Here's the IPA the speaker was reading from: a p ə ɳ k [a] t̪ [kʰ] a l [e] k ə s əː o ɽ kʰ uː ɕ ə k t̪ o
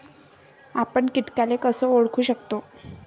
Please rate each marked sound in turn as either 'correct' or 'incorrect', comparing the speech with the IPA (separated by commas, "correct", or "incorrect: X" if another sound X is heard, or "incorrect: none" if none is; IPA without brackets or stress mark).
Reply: incorrect: i, incorrect: k, correct